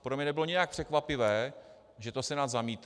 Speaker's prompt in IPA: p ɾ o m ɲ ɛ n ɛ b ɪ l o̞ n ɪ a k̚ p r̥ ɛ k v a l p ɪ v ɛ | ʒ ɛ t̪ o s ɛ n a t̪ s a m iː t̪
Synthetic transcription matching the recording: p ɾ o m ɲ ɛ n ɛ b ɪ l o̞ ɲ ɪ a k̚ p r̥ ɛ k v a p ɪ v ɛː | ʒ ɛ t̪ o s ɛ n a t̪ z a m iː t̪